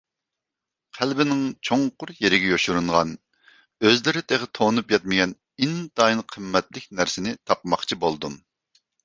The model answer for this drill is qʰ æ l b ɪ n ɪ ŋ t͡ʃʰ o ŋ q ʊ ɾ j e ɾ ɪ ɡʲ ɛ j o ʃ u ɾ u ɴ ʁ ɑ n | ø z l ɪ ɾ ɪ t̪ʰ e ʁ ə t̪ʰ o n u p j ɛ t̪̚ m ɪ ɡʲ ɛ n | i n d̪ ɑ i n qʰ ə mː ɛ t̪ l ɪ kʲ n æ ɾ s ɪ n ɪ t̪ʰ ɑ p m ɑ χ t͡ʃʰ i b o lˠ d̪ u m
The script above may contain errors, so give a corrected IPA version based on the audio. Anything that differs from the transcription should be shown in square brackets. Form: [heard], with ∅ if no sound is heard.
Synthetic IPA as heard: qʰ æ l b ɪ n ɪ ŋ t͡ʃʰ o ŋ q ʊ ɾ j e ɾ ɪ ɡʲ ɛ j o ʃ u ɾ u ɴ ʁ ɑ n | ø z l ɪ ɾ ɪ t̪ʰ e ʁ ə t̪ʰ o n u p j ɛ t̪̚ m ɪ ɡʲ ɛ n | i n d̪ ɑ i n qʰ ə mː ɛ t̪ l ɪ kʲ n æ ɾ s ɪ n ɪ t̪ʰ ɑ p m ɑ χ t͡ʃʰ i b o lˠ d̪ u m